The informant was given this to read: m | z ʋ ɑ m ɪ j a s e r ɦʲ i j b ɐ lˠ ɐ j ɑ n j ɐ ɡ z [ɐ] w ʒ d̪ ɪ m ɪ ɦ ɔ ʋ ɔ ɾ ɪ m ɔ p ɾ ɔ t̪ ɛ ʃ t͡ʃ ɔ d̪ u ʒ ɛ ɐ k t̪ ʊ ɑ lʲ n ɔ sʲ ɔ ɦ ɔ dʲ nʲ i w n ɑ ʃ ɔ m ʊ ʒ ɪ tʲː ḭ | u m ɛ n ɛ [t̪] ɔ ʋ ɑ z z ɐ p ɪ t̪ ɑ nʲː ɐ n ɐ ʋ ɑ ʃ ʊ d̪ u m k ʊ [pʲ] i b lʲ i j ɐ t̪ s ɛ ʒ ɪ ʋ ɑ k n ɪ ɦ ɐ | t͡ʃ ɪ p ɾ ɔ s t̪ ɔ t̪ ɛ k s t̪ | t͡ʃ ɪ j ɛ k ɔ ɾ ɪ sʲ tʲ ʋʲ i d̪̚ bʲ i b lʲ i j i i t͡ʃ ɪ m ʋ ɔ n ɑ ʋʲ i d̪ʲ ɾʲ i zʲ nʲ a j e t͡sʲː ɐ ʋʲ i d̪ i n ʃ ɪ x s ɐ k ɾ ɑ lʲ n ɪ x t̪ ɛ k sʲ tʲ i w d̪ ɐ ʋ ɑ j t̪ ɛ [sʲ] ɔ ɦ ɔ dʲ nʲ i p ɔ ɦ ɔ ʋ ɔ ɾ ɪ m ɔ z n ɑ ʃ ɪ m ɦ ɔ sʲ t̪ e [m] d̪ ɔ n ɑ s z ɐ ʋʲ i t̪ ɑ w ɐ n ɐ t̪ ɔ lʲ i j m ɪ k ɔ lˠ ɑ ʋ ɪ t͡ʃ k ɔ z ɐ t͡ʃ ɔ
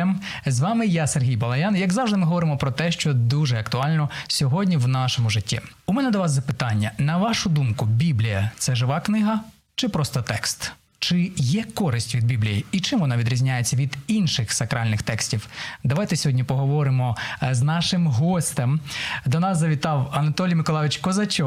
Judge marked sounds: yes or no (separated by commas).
no, no, no, yes, yes